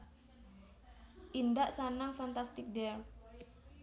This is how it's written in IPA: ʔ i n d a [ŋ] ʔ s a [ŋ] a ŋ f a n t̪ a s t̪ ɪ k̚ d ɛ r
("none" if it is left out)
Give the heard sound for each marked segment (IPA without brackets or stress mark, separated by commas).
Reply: none, n